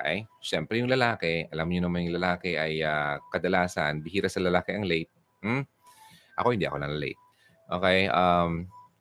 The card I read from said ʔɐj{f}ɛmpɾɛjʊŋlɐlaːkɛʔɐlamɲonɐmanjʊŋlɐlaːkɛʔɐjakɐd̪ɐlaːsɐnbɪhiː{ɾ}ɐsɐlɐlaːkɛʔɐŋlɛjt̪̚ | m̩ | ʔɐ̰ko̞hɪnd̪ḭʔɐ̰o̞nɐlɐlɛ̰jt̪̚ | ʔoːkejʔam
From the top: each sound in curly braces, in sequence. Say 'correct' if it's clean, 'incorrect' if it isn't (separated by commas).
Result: incorrect, correct